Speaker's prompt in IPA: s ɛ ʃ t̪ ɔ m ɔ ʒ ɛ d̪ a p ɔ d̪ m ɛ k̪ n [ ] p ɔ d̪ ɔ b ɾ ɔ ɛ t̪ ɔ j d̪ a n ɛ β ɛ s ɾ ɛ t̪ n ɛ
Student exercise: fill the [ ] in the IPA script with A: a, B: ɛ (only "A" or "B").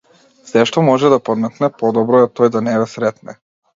B